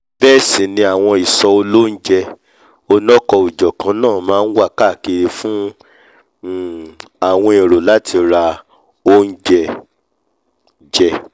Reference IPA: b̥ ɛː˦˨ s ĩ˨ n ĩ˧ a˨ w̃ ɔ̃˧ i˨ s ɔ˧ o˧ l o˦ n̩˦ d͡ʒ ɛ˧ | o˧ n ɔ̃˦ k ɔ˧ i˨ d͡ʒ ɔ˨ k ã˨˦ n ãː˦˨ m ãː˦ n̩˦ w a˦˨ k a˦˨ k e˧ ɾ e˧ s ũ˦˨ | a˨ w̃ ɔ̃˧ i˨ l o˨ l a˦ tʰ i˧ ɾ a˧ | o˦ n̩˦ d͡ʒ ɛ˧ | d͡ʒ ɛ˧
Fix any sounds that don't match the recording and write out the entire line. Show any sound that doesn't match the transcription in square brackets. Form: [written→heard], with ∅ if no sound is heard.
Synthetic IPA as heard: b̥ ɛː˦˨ s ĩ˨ n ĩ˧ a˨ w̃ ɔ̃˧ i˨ s ɔ˧ o˧ l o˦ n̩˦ d͡ʒ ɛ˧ | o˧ n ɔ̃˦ k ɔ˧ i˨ d͡ʒ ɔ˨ k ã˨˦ n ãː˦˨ m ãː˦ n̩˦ w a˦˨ k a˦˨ k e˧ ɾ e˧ [s→f] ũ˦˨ | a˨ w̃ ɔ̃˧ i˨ [l→ɾ] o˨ l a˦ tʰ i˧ ɾ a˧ | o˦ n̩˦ d͡ʒ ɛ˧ | d͡ʒ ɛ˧